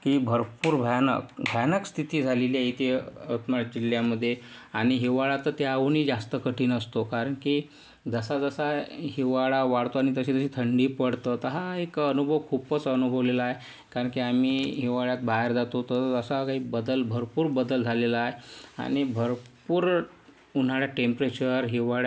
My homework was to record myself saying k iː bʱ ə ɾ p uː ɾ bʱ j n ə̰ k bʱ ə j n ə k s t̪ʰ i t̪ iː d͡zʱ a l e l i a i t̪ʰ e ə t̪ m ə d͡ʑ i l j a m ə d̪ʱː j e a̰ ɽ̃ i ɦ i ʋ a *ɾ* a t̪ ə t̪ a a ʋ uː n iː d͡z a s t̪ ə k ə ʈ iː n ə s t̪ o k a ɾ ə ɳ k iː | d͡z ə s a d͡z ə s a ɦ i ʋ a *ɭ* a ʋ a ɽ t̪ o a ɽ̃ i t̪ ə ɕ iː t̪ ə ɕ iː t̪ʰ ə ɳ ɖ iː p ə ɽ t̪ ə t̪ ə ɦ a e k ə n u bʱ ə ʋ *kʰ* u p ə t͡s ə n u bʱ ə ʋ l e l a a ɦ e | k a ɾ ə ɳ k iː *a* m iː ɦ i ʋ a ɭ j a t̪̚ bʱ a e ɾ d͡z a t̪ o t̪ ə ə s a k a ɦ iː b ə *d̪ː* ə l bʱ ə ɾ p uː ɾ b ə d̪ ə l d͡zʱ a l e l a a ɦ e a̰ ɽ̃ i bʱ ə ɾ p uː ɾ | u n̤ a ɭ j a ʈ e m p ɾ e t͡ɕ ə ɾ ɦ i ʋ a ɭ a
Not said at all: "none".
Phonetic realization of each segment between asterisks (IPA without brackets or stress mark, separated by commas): ɭ, ɭ, kʰ, a, d̪